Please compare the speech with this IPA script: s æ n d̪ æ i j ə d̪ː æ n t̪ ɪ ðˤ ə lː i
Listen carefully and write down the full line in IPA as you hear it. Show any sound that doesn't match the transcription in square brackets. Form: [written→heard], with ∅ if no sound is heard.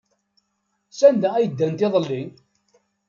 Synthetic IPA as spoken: s æ n d̪ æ [i→æ] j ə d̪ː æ n t̪ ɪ ðˤ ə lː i

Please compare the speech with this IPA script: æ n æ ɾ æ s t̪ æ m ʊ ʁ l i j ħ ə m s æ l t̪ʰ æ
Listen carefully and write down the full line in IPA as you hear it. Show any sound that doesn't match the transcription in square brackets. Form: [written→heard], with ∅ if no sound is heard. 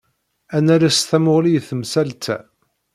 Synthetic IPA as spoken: æ n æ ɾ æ s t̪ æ m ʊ ʁ l i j [ħ→θ] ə m s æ l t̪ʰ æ

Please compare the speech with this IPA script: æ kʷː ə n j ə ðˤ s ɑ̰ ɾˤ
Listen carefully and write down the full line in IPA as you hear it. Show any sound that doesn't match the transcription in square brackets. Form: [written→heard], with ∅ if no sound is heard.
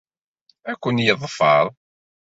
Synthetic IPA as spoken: æ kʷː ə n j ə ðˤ [s→f] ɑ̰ ɾˤ

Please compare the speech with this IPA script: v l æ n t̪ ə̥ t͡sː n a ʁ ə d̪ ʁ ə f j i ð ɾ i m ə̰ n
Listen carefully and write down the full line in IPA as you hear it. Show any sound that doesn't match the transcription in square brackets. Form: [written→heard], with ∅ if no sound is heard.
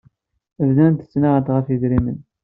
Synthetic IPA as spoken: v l æ n t̪ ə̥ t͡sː n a ʁ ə [d̪→t̪] ʁ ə f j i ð ɾ i m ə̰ n

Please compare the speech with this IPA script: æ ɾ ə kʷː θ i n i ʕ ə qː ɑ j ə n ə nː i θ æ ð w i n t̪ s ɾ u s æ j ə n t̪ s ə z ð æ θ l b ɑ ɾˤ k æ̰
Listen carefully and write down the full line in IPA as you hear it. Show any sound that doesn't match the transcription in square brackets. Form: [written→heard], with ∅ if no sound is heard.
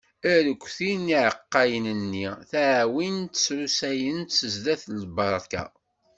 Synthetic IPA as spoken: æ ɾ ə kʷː θ i n i ʕ ə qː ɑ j ə n ə nː i θ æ [ð→ʕ] w i n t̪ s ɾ u s æ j ə n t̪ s ə z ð æ θ l b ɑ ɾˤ k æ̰

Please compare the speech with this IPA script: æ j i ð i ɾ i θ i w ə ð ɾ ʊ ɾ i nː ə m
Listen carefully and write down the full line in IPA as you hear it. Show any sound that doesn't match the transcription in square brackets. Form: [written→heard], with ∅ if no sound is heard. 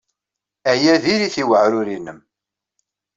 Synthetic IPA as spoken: æ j [i→æ] ð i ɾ i θ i w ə [ð→ʕ] ɾ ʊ ɾ i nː ə m

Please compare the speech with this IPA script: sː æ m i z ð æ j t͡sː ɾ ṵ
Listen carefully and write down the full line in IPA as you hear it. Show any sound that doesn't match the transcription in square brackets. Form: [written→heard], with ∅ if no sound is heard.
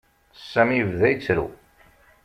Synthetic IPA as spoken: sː æ m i [z→v] ð æ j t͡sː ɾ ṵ

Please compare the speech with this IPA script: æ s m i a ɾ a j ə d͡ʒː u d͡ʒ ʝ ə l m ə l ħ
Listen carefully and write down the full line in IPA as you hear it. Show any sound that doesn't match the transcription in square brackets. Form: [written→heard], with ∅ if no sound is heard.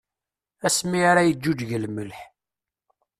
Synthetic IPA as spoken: æ s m i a ɾ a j ə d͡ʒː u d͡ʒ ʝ ə l m ə l ħ

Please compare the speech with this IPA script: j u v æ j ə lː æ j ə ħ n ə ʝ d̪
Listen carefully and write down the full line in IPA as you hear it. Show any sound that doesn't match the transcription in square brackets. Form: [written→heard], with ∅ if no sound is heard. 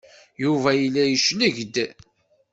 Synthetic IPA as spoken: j u v æ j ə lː æ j ə [ħ→ʃ] n ə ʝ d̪

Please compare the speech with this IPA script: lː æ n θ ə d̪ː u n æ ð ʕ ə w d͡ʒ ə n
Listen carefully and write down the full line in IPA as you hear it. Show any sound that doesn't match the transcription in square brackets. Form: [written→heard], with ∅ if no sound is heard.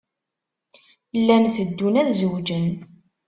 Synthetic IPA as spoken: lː æ n θ ə d̪ː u n æ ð [ʕ→z] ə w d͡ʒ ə n

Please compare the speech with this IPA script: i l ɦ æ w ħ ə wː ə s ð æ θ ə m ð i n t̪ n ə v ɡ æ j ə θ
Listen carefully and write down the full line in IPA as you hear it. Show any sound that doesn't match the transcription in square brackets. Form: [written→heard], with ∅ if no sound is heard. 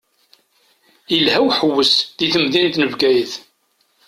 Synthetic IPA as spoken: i l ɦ æ w ħ ə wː ə s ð [æ→i] θ ə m ð i n t̪ n ə v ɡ æ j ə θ

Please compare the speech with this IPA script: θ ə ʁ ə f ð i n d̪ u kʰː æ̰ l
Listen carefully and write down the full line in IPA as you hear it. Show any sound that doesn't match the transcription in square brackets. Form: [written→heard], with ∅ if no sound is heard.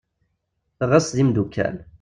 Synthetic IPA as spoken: θ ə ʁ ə [f→s] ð i [n→m] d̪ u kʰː æ̰ l

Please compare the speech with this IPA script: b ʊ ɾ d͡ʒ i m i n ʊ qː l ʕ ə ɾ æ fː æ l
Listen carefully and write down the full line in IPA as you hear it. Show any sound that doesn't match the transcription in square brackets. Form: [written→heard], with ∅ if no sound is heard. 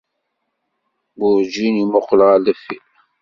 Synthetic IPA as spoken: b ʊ ɾ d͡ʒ i [m→n] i [n→m] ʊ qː l [ʕ→ʁ] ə [ɾ→l] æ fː [æ→i] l

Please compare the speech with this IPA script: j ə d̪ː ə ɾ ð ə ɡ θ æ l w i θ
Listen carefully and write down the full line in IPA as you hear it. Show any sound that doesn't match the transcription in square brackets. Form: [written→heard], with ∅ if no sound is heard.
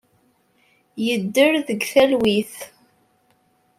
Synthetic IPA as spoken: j ə d̪ː ə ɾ ð ə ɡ θ æ l w i θ

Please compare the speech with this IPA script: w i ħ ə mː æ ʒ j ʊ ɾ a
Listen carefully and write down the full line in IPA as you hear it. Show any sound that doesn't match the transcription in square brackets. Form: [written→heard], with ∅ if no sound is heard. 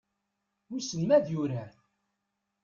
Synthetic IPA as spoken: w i [ħ→s] ə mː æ [ʒ→ð] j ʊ ɾ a

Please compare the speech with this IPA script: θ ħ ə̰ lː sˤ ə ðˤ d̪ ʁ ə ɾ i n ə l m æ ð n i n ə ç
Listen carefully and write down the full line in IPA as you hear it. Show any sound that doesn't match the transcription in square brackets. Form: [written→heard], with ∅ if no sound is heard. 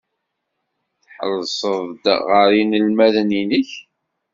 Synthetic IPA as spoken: θ ħ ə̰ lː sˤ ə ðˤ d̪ ʁ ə ɾ i n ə l m æ ð n i n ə ç

